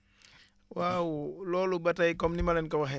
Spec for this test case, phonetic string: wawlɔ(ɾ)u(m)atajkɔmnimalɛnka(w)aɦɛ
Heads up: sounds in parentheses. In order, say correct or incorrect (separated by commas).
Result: incorrect, incorrect, correct